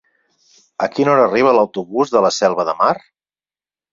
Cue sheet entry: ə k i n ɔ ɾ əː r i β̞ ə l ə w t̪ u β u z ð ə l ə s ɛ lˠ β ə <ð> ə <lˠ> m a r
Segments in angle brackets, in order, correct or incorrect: correct, incorrect

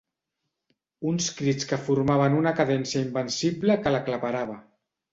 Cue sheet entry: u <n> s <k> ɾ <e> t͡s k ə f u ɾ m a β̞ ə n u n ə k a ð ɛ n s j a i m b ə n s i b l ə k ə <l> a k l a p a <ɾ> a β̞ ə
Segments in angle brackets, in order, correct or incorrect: correct, correct, incorrect, correct, correct

